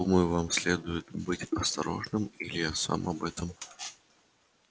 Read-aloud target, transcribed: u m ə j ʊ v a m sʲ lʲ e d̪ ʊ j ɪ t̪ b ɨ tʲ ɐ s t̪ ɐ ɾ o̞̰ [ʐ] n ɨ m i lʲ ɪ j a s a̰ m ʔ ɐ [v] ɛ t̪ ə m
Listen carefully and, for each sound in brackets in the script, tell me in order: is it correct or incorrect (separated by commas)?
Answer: correct, incorrect